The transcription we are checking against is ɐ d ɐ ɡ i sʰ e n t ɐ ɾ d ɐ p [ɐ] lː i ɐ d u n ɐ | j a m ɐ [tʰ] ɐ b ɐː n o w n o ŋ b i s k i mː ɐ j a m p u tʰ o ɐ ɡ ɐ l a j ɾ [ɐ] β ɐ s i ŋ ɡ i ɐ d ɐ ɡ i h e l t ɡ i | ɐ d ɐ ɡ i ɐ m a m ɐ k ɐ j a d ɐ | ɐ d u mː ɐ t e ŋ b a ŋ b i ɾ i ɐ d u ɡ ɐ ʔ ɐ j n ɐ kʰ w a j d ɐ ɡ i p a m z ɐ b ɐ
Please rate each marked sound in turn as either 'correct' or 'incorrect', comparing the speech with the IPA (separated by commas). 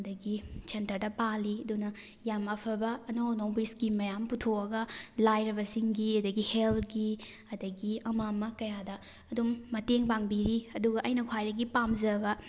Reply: incorrect, incorrect, correct